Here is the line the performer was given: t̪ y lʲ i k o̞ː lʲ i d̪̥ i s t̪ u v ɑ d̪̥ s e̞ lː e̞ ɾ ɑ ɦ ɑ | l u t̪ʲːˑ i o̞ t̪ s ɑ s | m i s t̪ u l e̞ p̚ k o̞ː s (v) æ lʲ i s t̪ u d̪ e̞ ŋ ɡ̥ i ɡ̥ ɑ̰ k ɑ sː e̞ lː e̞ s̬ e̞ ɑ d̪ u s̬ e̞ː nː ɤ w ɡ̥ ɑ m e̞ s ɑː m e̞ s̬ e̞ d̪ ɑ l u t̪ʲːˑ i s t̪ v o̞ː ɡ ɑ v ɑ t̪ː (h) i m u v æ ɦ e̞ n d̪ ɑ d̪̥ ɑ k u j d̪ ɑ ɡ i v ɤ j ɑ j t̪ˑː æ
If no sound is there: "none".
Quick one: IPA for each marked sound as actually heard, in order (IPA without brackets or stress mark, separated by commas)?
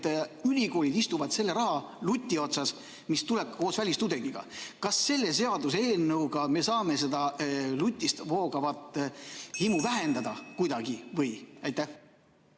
v, h